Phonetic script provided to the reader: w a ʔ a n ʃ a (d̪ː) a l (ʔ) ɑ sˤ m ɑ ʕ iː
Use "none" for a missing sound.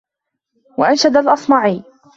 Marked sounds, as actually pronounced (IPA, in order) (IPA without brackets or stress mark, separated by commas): d̪, ʔ